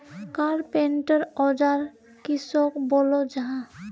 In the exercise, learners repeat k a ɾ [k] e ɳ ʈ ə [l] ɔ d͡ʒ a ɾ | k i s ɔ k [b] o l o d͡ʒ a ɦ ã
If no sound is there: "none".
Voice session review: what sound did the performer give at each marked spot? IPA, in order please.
p, ɾ, b

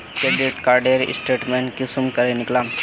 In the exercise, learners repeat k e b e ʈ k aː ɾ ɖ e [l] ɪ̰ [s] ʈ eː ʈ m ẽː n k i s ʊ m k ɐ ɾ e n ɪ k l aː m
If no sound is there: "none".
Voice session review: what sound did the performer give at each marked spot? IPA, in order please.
ɾ, s

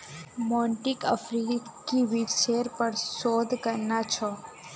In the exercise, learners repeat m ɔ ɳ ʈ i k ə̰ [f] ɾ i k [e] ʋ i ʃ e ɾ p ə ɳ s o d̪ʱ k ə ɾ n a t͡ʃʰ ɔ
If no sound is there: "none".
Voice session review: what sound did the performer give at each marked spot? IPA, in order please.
f, i

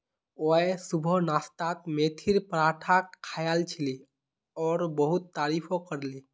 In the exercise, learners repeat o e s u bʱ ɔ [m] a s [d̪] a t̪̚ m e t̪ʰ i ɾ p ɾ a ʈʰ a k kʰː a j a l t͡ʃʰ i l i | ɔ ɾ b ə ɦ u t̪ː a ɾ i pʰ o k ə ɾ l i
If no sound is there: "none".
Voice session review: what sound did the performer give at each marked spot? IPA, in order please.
n, t̪

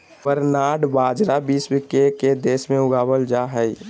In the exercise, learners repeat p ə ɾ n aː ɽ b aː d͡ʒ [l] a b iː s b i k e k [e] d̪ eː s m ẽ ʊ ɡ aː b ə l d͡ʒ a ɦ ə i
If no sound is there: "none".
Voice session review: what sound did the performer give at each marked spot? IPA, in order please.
ɾ, e

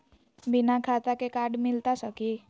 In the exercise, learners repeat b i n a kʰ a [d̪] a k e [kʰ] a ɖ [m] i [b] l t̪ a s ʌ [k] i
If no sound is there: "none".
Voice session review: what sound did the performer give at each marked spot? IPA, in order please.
t̪, k, m, none, k

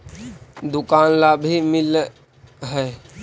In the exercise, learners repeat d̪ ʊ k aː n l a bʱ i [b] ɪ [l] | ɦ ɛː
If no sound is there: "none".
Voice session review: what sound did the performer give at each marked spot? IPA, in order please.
m, l

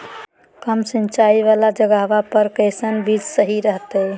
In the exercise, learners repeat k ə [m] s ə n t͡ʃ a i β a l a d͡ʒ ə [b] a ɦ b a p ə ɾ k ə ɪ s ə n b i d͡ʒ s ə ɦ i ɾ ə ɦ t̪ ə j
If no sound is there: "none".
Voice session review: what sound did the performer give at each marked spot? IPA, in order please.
m, ɡ

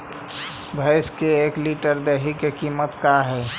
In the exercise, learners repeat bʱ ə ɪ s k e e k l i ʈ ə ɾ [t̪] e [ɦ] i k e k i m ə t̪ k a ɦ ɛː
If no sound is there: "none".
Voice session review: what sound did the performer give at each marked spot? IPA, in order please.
d̪, ɦ

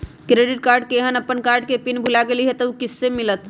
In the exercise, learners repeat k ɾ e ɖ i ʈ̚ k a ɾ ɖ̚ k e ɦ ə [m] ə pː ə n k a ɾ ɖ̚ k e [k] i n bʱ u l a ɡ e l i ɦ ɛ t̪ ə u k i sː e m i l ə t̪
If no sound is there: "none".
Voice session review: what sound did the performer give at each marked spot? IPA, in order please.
n, p

